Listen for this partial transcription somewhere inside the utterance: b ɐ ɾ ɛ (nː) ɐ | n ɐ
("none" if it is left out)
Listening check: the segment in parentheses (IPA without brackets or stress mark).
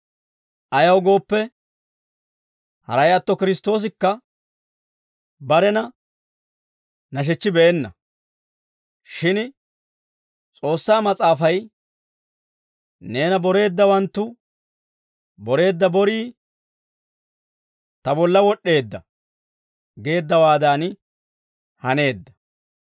n